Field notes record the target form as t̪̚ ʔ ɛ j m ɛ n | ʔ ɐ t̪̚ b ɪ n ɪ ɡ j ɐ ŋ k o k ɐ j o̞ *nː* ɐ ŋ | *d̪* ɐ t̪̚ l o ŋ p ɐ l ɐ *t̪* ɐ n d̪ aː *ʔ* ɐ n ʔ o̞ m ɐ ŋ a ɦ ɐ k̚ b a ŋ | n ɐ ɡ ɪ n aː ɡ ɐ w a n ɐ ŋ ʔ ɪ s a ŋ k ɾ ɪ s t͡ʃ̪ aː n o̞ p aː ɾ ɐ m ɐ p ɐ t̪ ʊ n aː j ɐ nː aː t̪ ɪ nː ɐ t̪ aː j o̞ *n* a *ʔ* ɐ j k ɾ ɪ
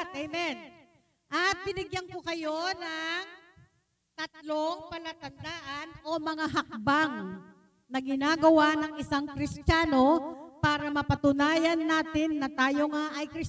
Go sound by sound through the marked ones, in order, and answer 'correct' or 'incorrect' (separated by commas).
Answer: incorrect, incorrect, correct, correct, incorrect, correct